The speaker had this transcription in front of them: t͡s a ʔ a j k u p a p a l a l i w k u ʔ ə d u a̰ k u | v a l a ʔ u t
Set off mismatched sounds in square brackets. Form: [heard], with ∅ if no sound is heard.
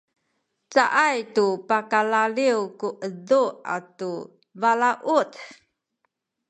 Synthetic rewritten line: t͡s a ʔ a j [t] u p a [k] a l a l i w k u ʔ ə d u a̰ [t] u | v a l a ʔ u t